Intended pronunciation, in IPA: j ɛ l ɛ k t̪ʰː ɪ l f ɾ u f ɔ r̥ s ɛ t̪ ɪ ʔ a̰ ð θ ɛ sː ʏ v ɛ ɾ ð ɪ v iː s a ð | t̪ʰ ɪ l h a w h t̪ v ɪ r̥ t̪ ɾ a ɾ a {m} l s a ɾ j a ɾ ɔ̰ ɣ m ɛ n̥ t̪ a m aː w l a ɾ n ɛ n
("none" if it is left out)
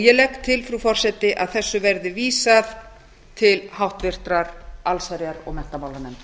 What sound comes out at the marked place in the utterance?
none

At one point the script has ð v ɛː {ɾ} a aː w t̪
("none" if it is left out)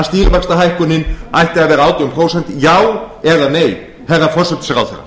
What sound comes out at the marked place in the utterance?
ɾ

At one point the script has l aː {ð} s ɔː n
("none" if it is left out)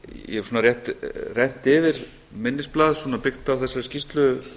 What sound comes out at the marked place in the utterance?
ð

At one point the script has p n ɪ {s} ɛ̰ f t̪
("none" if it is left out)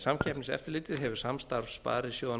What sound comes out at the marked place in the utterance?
s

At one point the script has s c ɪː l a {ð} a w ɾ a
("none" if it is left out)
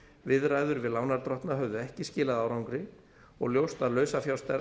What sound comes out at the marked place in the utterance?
ð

